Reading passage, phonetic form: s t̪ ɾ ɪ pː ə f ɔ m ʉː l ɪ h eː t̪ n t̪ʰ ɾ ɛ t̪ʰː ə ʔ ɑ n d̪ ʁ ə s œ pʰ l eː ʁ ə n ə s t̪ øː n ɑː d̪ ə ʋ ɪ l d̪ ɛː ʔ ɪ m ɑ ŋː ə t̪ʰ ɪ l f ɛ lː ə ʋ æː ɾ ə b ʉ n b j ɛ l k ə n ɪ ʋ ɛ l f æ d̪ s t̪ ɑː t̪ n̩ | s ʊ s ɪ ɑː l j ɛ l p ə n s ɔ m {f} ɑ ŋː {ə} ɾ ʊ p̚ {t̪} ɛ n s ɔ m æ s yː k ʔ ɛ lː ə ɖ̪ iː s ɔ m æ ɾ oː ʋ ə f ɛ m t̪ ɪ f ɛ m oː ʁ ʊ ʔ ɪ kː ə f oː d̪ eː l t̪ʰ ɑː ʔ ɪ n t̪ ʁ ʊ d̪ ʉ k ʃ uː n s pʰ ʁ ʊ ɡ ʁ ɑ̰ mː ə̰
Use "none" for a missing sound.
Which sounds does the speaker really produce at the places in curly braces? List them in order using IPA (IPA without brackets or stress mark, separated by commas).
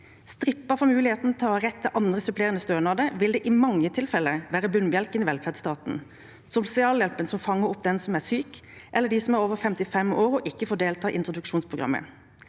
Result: f, ə, d̪